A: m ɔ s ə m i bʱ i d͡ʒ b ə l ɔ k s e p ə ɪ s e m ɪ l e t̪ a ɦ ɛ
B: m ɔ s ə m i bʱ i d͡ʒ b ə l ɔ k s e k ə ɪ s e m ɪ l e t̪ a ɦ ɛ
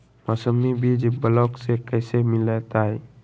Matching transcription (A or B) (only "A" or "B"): B